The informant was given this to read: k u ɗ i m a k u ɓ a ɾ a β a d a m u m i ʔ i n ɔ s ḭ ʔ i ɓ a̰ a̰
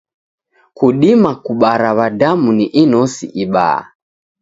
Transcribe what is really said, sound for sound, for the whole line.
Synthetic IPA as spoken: k u ɗ i m a k u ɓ a ɾ a β a d a m u n i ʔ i n ɔ s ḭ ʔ i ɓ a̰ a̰